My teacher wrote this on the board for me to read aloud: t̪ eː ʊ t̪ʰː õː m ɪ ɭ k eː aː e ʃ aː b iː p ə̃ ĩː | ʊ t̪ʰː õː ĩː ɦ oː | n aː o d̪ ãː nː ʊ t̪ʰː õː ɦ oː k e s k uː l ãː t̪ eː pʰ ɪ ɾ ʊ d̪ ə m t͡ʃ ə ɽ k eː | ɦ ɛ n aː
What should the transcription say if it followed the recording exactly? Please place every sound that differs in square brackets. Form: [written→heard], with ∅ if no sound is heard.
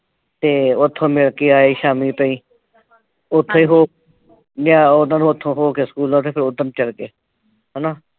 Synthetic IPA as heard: t̪ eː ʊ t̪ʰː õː m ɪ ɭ k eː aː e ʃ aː [b→m] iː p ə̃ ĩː | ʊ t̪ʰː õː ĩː ɦ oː | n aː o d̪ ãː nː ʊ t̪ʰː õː ɦ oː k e s k uː l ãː t̪ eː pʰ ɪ ɾ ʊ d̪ ə m t͡ʃ ə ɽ k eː | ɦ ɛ n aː